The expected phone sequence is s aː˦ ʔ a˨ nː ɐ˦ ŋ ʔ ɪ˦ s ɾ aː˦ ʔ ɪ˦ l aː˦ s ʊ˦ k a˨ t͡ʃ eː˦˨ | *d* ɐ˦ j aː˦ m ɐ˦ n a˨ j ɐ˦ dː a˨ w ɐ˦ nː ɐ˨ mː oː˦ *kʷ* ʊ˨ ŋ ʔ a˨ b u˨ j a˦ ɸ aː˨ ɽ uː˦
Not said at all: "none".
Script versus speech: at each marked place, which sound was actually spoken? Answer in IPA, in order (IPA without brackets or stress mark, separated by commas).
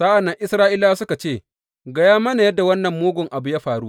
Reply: ɡ, ɡʷ